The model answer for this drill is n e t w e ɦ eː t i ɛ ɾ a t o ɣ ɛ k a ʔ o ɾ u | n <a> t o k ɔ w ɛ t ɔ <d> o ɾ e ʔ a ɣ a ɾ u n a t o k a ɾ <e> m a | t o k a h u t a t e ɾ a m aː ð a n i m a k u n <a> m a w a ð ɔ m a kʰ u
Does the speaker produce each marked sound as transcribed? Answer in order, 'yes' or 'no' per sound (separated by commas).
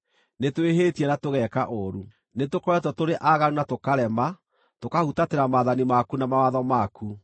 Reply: no, no, no, yes